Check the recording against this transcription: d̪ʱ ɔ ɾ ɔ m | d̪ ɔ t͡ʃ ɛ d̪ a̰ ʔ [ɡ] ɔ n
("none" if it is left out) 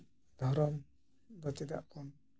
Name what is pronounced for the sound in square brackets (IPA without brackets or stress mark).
k